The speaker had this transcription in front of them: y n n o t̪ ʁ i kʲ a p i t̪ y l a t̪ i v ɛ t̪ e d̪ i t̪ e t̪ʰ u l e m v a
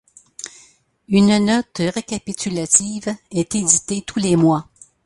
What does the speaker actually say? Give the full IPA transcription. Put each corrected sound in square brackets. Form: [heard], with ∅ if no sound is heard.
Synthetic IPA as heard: y n n [ɔ] t̪ ʁ [e] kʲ a p i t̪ y l a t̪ i v ɛ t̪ e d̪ i t̪ e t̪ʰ u l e m [w] a